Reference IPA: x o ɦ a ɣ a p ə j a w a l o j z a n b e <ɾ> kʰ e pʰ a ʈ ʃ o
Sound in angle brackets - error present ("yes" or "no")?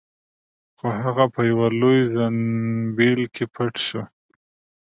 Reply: yes